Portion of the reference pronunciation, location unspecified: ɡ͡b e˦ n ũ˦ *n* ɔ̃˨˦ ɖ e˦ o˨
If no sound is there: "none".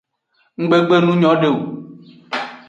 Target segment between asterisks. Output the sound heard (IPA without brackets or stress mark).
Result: ɲ